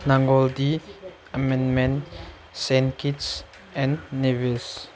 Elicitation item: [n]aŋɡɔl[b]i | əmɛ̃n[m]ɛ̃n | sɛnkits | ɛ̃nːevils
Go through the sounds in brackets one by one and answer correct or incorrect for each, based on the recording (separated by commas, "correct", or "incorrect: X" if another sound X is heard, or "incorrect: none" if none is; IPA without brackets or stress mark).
correct, incorrect: d, correct